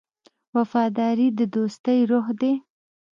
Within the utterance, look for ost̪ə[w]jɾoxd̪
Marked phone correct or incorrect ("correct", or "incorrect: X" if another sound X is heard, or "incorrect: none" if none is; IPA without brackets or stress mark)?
incorrect: none